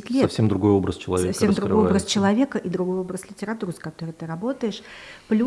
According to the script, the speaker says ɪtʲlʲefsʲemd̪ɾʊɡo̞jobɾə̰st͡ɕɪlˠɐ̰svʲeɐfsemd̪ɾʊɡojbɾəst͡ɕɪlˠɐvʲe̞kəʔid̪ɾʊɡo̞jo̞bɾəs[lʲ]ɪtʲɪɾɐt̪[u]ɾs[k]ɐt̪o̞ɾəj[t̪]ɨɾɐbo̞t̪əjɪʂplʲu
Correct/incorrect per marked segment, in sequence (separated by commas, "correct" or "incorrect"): correct, correct, correct, correct